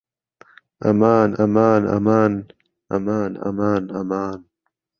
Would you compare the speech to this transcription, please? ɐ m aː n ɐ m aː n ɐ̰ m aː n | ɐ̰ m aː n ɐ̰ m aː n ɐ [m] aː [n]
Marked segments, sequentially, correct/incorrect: correct, correct

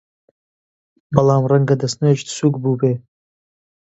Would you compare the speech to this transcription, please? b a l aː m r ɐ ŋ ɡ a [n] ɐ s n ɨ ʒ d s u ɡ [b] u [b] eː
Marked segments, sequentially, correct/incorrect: incorrect, correct, correct

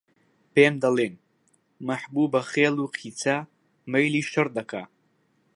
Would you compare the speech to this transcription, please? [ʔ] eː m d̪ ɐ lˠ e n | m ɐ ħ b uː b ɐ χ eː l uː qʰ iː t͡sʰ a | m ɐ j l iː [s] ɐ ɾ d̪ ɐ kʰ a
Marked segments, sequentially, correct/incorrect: incorrect, incorrect

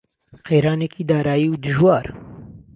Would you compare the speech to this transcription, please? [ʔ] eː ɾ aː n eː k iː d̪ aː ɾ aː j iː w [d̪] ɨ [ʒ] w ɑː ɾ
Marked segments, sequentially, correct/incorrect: incorrect, correct, correct

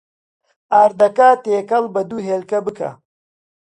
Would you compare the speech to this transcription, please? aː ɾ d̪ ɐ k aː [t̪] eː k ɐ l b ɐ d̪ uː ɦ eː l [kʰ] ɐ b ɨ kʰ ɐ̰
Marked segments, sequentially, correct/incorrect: correct, incorrect

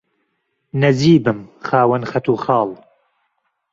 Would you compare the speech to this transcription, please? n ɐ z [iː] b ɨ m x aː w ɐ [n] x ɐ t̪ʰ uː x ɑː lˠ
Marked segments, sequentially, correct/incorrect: correct, correct

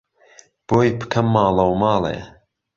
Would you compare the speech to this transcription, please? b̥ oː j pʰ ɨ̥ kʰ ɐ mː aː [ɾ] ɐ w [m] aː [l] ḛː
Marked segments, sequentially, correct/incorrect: incorrect, correct, correct

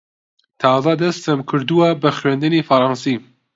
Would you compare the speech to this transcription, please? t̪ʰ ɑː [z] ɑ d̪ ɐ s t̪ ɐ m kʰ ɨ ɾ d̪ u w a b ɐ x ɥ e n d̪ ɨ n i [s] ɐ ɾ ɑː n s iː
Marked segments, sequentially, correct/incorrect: correct, incorrect

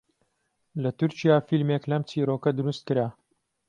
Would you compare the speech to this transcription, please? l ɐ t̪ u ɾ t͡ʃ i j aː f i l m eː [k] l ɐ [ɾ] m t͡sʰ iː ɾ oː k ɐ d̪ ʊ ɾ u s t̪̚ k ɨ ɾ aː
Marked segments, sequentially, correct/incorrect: correct, incorrect

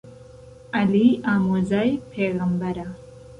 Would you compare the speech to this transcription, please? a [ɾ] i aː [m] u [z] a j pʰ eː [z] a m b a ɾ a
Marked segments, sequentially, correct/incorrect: incorrect, correct, correct, incorrect

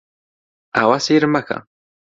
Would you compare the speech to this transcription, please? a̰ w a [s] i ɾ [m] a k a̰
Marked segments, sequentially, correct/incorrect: correct, correct

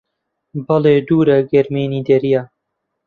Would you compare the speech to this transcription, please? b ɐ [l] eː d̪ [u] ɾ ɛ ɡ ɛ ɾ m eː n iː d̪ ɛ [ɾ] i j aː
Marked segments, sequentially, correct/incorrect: correct, incorrect, correct

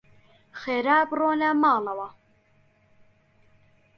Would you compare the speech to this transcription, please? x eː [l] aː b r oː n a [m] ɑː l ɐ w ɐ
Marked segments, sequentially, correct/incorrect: incorrect, correct

